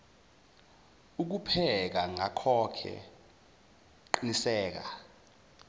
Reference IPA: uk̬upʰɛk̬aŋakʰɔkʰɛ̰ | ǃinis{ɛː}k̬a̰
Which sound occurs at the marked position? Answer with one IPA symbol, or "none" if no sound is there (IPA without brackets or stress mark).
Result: ɛː